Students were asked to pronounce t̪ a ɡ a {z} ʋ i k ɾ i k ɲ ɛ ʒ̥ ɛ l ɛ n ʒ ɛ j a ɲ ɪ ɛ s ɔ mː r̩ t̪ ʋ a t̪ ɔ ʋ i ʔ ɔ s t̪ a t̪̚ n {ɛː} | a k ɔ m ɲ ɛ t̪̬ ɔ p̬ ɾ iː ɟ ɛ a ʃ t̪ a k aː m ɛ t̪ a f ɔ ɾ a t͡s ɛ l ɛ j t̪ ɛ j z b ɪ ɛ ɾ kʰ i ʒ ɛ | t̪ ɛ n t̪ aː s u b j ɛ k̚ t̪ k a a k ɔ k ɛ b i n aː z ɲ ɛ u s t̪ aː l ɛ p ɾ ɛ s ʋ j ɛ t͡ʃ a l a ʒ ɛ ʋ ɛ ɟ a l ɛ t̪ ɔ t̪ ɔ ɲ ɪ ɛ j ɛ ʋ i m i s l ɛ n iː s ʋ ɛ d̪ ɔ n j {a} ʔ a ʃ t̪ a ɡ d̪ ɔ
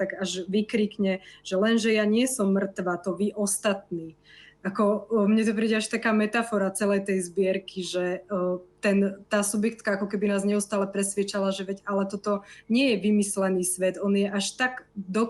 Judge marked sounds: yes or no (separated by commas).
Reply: no, no, no